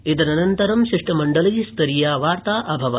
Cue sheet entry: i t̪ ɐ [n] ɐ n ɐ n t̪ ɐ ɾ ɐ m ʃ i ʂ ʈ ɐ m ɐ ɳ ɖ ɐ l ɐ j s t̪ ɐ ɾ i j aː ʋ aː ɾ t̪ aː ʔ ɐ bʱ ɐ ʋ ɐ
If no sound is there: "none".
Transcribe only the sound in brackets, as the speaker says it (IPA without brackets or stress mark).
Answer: n